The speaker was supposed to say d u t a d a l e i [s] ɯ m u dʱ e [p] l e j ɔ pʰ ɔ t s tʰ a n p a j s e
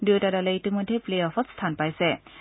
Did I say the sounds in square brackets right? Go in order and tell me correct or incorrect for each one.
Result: incorrect, correct

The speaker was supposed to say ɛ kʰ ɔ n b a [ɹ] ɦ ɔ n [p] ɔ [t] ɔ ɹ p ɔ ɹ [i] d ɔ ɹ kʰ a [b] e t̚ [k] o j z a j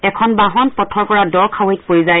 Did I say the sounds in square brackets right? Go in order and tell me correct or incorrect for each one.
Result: incorrect, correct, incorrect, incorrect, incorrect, incorrect

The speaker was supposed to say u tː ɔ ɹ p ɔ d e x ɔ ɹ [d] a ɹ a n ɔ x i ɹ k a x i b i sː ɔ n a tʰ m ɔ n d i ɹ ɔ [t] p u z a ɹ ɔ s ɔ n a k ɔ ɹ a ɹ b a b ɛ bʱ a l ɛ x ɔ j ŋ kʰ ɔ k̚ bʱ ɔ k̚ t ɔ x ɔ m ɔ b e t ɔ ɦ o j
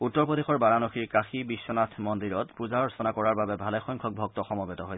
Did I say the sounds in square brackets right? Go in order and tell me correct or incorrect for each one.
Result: incorrect, correct

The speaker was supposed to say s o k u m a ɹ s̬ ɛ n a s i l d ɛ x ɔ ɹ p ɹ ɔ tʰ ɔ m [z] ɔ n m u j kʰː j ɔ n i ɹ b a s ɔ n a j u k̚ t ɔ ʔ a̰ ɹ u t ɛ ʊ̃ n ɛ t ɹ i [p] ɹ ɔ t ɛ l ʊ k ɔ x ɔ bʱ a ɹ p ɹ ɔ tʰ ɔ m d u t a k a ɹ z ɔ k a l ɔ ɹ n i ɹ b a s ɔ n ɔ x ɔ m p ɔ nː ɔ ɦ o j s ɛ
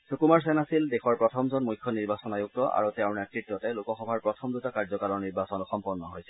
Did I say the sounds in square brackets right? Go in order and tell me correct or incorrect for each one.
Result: correct, incorrect

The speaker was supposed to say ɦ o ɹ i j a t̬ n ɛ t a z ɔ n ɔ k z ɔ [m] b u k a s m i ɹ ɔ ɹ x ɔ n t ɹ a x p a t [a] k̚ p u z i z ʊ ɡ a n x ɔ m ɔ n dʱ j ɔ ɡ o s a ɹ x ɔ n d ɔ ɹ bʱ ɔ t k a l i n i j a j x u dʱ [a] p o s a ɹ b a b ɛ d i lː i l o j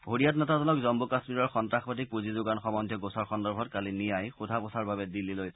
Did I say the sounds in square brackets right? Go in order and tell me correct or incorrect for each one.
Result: correct, incorrect, correct

